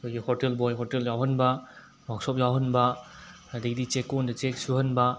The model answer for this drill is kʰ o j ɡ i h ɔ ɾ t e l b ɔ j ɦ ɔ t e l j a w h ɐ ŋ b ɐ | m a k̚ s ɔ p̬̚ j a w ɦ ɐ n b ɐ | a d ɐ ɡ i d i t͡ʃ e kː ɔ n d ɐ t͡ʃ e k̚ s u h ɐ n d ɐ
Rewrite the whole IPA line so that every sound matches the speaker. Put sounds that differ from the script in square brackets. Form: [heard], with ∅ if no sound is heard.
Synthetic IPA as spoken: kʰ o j ɡ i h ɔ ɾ t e l b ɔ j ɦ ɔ t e l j a w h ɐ [n] b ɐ | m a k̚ s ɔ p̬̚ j a w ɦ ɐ n b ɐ | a d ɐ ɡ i d i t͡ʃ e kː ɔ n d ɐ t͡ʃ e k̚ s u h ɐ n [b] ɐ